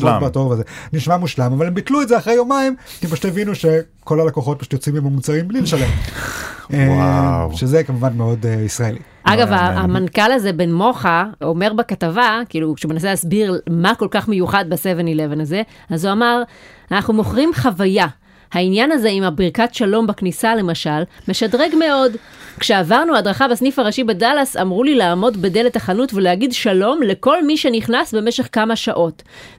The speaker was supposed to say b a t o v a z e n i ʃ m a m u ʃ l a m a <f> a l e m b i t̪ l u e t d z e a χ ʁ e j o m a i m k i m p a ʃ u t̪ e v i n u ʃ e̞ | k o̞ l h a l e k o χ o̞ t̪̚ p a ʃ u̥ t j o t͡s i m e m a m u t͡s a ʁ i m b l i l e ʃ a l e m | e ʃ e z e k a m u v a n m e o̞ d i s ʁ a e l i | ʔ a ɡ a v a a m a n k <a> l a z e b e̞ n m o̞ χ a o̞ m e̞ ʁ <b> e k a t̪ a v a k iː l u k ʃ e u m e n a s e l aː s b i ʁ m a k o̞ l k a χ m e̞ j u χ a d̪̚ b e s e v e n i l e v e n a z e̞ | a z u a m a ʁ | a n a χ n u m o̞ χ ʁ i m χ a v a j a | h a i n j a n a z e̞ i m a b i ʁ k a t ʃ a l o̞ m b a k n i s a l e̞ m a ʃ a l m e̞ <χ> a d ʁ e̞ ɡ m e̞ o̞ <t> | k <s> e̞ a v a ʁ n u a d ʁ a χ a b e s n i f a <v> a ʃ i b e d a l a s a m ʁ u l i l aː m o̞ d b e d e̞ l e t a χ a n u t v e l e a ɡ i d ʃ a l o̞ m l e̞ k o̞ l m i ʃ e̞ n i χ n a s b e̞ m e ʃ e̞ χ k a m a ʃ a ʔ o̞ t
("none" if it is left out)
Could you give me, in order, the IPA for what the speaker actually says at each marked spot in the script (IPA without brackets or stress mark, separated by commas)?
v, a, b, ʃ, d, ʃ, ʁ